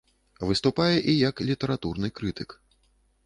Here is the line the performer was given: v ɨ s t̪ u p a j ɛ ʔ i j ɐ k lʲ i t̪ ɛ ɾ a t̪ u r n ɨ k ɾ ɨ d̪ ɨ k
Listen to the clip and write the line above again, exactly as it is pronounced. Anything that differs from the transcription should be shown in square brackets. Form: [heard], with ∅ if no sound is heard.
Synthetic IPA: v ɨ s t̪ u p a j ɛ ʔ i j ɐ k lʲ i t̪ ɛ ɾ a t̪ u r n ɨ k ɾ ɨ [t̪] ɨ k